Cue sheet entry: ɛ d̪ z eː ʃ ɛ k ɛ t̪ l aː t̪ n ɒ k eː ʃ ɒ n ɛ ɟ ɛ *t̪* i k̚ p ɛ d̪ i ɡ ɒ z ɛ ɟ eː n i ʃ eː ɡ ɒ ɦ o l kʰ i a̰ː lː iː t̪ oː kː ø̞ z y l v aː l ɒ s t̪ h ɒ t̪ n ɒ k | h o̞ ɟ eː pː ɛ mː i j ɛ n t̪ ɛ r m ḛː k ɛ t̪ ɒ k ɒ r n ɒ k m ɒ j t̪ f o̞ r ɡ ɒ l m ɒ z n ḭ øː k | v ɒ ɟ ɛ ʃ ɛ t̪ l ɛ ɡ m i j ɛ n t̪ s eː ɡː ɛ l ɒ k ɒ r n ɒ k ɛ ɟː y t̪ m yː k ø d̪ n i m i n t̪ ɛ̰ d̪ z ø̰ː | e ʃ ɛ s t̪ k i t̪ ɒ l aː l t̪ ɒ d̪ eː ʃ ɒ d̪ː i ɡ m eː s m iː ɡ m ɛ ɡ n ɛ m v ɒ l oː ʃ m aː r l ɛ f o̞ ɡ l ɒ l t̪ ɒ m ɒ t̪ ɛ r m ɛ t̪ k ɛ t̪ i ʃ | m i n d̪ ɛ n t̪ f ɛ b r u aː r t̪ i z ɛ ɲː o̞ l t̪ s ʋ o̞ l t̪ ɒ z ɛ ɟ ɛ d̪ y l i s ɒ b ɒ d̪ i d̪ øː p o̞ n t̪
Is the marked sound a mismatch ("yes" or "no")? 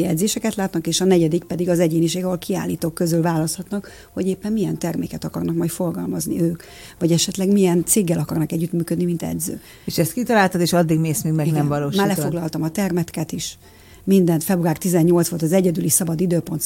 yes